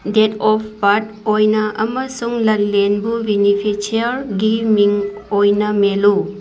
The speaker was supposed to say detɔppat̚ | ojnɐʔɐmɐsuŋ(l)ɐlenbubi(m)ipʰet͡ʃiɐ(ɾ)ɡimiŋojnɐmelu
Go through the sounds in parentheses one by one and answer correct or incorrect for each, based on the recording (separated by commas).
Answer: correct, incorrect, correct